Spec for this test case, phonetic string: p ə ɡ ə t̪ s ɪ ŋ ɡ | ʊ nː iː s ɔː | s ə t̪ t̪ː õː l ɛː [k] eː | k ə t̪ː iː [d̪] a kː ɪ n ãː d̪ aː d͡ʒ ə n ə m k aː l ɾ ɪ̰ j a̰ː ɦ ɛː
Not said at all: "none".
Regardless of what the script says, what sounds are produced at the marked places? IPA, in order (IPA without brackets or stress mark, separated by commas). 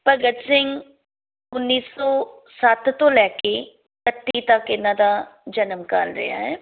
k, t̪